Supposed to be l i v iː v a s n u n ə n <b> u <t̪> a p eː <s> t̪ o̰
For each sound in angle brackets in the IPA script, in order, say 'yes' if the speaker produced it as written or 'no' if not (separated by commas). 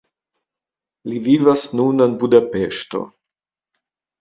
yes, no, no